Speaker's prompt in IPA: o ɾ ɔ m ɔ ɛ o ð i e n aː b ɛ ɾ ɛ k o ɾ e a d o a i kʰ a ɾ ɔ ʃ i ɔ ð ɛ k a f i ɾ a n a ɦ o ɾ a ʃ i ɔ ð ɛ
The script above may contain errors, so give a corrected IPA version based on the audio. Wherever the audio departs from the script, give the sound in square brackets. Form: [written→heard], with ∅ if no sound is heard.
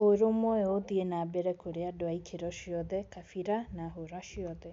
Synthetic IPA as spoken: o ɾ [ɔ→o] m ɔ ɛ o ð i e n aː b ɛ ɾ ɛ k o ɾ e a d o a i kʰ [a→e] ɾ ɔ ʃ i ɔ ð ɛ k a f i ɾ a n a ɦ o ɾ a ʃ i ɔ ð ɛ